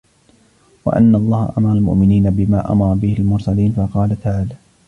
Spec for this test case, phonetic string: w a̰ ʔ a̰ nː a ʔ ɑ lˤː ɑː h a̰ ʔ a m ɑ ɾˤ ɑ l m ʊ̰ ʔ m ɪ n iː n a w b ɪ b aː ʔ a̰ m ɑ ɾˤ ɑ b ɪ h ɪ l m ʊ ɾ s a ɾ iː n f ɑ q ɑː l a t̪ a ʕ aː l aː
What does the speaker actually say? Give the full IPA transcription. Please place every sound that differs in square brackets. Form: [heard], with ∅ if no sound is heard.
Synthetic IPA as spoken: w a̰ ʔ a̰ nː a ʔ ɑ lˤː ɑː h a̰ ʔ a m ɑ ɾˤ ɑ l m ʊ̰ ʔ m ɪ n iː n a [∅] b ɪ [m] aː ʔ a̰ m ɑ ɾˤ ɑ b ɪ h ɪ l m ʊ ɾ s a [l] iː n f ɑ q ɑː l a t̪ a ʕ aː l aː